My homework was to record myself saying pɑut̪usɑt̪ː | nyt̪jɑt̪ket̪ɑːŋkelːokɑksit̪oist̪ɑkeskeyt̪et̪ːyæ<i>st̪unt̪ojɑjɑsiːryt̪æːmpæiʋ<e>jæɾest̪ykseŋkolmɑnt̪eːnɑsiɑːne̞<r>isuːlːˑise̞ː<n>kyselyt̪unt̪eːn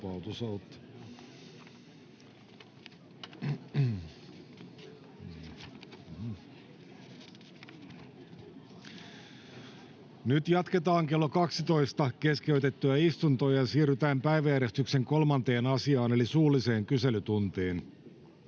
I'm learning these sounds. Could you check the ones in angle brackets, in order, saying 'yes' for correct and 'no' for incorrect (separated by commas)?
yes, no, no, no